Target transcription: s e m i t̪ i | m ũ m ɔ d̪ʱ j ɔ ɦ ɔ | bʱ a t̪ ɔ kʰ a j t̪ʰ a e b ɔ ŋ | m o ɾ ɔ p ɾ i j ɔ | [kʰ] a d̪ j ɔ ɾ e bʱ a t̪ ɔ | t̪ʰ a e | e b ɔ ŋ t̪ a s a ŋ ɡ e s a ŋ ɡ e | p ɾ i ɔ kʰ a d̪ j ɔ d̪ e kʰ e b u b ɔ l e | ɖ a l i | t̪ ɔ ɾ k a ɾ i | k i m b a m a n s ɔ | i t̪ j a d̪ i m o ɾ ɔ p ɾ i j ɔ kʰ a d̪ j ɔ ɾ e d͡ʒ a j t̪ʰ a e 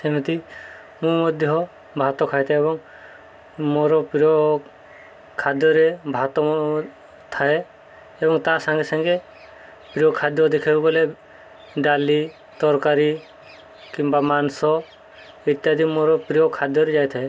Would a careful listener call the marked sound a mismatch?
no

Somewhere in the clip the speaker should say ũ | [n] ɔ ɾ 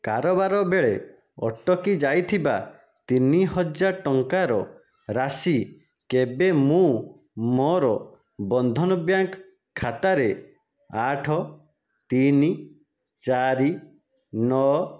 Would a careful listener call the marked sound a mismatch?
yes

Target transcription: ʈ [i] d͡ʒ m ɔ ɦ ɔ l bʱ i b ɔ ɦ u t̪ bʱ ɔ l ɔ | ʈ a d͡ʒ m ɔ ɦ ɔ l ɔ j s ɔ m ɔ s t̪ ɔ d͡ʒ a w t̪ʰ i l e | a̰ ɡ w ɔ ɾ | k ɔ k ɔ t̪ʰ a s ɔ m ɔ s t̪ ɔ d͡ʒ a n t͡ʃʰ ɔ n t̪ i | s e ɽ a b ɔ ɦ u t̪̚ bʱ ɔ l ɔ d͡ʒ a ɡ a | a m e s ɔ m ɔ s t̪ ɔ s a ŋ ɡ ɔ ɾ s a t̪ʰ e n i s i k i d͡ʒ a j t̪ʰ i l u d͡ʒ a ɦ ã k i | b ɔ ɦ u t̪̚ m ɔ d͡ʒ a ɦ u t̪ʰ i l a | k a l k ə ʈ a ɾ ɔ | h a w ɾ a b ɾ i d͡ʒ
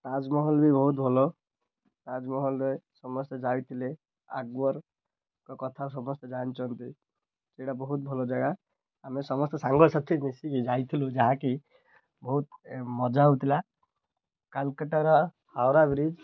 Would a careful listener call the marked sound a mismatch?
yes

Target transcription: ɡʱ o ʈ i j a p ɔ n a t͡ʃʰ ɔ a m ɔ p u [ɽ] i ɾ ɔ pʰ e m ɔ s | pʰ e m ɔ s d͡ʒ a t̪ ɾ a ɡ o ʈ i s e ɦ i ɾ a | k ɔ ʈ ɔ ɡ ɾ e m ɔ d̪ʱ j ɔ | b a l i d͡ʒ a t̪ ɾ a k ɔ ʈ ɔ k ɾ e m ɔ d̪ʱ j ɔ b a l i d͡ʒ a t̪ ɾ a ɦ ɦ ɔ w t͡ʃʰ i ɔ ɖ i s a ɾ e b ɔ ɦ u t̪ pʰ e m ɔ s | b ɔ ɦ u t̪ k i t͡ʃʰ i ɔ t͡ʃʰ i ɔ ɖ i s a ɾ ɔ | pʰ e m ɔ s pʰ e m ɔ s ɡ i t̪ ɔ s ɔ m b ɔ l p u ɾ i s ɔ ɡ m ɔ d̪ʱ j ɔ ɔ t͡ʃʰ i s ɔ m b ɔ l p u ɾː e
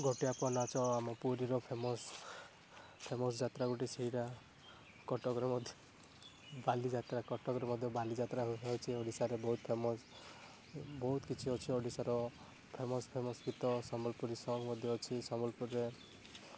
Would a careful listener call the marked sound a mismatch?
yes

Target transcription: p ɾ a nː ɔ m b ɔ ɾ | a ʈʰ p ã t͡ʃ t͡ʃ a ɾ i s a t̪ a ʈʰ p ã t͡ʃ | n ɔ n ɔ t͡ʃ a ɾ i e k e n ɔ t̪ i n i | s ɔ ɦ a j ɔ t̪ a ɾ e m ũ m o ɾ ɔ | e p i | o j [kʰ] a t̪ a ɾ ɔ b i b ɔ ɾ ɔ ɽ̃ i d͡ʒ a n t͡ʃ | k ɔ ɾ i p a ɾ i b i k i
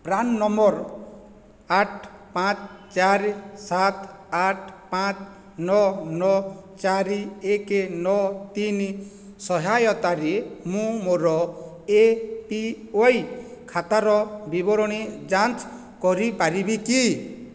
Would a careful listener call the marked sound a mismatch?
no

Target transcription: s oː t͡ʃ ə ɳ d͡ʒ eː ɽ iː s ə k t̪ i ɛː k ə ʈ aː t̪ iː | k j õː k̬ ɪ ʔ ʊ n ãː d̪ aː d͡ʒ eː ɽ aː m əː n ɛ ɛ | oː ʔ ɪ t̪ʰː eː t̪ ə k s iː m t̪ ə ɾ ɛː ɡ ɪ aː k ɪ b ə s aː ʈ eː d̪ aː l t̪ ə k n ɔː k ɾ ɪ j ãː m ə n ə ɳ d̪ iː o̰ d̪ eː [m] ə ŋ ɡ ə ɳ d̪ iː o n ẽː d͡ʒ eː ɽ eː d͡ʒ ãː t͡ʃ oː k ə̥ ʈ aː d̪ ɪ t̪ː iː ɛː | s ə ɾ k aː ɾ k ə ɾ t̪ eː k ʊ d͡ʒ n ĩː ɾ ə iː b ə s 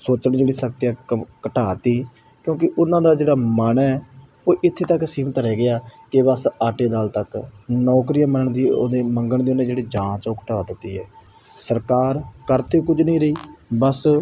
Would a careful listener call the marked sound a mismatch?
no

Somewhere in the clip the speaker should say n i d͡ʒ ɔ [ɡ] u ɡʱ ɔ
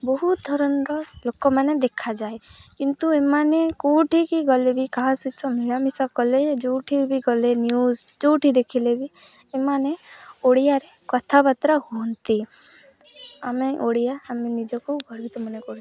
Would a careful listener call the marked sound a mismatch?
yes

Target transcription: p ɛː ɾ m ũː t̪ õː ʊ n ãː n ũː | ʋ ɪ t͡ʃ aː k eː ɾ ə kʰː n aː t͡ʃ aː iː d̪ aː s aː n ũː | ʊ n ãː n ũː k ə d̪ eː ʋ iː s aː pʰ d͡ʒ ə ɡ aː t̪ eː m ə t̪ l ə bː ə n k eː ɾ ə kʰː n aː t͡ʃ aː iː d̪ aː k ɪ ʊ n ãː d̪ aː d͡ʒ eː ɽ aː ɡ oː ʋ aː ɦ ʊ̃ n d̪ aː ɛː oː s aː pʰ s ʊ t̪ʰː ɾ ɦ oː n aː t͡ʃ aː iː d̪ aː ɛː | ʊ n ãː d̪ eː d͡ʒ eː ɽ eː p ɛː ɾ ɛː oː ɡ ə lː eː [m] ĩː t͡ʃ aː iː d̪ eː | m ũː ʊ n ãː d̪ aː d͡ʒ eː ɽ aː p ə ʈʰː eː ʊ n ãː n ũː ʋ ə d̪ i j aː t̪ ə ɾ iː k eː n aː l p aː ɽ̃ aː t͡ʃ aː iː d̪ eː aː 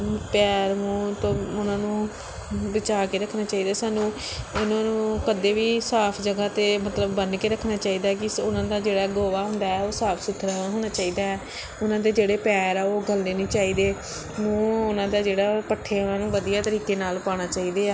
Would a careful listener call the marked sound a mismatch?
yes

